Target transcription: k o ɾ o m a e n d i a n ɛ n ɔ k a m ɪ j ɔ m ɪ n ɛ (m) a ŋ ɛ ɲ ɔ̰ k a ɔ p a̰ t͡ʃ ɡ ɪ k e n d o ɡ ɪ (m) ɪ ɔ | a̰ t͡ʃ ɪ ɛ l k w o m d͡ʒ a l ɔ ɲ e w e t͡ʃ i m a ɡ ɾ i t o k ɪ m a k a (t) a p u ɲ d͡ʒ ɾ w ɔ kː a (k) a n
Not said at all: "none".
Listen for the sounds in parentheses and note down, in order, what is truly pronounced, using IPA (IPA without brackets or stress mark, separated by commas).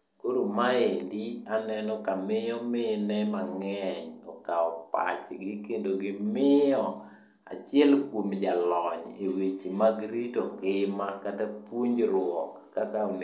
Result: m, m, t, k